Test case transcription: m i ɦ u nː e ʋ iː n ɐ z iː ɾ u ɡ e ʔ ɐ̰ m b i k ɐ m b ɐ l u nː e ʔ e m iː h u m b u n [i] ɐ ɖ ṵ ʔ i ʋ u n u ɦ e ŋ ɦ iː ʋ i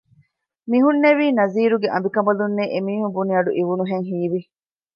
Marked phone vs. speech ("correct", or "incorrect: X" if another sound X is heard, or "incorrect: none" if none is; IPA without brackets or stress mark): correct